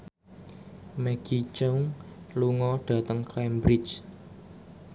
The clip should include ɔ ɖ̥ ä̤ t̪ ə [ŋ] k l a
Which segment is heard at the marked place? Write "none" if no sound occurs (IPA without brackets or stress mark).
ŋ